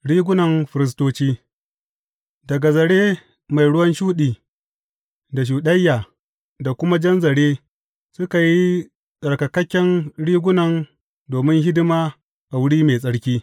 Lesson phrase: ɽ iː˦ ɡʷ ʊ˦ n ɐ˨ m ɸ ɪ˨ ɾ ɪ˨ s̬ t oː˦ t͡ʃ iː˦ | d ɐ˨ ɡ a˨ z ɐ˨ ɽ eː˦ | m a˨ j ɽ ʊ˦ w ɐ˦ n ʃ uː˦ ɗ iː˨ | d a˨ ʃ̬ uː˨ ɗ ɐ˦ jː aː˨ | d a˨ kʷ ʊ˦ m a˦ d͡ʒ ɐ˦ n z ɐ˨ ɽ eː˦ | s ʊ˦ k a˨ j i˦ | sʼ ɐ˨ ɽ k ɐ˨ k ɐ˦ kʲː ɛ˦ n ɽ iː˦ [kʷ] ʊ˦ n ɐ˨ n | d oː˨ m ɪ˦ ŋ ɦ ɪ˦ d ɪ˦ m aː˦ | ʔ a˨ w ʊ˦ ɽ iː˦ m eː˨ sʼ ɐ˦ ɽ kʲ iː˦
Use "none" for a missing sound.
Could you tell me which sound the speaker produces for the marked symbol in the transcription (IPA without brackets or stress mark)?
ɡʷ